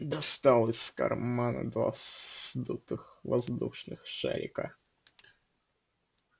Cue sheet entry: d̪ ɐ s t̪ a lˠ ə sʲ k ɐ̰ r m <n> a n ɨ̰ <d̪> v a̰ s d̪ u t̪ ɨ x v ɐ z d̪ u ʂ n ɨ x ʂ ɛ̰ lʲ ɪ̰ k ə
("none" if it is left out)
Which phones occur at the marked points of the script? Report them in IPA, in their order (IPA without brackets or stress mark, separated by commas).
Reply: m, d̪